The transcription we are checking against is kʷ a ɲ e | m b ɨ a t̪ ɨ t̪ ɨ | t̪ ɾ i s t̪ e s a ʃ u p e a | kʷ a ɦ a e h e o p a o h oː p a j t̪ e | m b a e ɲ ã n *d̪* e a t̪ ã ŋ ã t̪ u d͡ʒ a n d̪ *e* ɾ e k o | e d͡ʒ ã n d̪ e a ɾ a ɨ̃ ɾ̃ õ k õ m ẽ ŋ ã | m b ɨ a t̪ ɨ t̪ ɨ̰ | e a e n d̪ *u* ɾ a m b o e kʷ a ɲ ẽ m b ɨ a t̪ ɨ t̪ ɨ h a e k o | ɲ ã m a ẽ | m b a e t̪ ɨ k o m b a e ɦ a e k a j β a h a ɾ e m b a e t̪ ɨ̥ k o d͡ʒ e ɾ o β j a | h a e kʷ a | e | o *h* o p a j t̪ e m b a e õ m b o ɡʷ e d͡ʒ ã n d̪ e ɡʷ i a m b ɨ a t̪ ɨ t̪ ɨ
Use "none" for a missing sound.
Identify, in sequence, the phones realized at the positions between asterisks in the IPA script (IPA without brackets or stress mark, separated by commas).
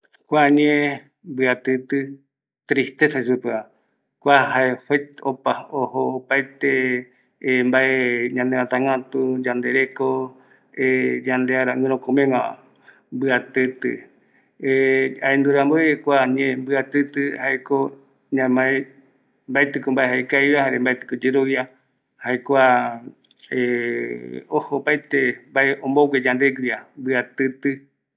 d̪, e, u, h